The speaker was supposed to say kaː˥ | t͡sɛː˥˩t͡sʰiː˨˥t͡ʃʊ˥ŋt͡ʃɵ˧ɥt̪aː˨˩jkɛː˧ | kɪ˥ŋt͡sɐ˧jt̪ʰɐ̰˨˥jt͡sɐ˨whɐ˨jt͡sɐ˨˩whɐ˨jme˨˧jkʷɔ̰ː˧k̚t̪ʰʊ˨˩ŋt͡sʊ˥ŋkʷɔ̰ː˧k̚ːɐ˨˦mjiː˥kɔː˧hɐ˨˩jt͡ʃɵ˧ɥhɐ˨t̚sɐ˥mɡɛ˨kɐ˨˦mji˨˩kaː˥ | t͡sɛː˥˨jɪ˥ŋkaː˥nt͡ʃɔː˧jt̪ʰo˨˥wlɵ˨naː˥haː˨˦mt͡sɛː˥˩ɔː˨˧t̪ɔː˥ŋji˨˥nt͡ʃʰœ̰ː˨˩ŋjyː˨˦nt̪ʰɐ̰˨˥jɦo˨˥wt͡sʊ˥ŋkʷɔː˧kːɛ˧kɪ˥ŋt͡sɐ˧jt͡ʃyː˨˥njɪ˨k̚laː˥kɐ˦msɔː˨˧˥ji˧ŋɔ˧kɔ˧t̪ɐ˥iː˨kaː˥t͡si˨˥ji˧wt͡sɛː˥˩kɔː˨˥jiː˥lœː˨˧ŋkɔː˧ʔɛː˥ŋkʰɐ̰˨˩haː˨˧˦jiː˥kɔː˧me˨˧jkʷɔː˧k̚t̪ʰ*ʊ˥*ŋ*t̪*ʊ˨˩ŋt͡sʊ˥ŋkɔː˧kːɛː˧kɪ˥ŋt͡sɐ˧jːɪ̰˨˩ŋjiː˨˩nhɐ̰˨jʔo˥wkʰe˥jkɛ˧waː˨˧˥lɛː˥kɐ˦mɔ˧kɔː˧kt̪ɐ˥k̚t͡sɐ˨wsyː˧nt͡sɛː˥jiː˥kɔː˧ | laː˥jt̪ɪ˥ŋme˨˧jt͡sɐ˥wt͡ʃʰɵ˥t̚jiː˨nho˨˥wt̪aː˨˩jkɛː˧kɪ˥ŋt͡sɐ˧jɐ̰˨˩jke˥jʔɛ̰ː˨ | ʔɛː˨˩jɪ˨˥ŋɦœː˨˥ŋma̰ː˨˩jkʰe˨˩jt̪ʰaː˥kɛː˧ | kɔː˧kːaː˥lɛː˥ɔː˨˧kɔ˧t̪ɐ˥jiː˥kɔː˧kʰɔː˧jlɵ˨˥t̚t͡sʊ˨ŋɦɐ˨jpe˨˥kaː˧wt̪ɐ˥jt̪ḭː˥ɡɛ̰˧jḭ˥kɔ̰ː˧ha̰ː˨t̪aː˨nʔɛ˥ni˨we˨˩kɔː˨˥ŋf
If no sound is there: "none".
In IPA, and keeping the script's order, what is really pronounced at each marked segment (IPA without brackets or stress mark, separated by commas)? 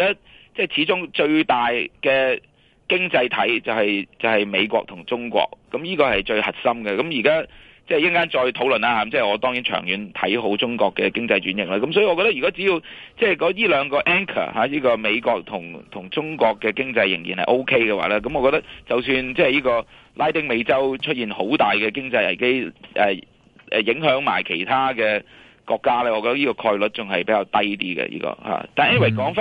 ʊ˨˩, t̪ʰ